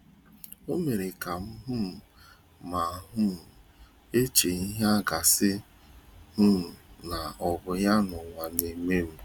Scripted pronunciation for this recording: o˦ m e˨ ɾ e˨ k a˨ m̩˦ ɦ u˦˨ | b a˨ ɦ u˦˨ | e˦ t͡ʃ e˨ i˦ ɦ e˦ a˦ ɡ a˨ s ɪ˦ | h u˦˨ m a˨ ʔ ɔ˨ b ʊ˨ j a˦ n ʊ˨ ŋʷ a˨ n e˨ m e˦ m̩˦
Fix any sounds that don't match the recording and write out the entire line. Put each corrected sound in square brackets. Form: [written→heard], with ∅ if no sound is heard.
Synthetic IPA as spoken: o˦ m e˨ ɾ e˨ k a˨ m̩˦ ɦ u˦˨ | [b→m] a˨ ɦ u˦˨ | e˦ t͡ʃ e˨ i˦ ɦ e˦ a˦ ɡ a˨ s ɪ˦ | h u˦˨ [m→n] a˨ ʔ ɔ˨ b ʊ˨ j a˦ n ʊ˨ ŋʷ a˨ n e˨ m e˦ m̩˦